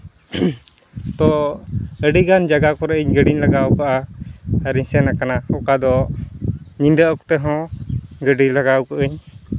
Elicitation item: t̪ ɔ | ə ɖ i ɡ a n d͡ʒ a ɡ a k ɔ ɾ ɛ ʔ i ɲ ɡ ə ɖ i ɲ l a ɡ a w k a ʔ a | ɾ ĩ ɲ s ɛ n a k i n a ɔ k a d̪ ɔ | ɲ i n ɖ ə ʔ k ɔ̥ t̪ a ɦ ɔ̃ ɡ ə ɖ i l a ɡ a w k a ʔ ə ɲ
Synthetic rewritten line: t̪ ɔ | ə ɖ i ɡ a n d͡ʒ a ɡ a k ɔ ɾ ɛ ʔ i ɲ ɡ ə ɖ i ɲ l a ɡ a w k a ʔ a | ɾ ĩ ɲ s ɛ n a k a n a ɔ k a d̪ ɔ | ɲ i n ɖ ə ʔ k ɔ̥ t̪ ɛ ɦ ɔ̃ ɡ ə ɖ i l a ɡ a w k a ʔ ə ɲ